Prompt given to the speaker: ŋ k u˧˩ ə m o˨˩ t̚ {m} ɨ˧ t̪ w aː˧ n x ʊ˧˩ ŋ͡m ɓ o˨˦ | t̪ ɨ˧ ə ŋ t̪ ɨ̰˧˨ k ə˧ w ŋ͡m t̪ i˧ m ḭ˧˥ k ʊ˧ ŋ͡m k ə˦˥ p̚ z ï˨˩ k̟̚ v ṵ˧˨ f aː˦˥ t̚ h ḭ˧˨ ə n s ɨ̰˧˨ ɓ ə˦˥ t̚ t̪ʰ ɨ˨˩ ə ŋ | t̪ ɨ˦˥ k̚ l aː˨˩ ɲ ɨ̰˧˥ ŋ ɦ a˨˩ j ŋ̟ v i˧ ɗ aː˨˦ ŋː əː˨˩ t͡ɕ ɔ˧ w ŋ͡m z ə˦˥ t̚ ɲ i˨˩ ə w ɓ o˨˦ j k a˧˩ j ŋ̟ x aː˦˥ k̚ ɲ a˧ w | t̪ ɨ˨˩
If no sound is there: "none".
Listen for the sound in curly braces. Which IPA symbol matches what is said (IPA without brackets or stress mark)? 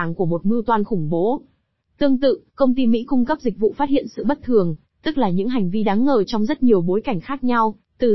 m